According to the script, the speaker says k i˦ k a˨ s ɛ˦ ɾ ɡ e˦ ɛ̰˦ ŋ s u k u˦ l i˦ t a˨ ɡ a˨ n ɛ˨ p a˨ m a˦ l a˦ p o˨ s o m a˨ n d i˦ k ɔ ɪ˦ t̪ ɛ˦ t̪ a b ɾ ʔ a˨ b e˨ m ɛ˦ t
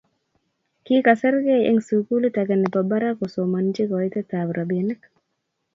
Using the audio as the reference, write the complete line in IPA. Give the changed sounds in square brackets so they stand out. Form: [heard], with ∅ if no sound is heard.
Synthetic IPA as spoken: k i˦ k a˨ s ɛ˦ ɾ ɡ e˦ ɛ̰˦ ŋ s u k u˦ l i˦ t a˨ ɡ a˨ n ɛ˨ p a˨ [b] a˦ [ɾ] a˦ [k] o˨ s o m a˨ n [d͡ʒ] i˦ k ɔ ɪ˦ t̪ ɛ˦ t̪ a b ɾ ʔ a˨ b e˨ [n] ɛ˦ [k]